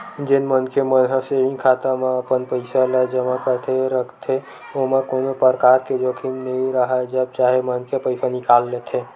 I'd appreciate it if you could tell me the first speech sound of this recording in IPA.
d͡ʒ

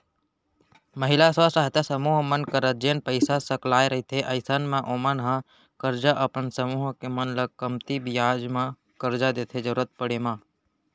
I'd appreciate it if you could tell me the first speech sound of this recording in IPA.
m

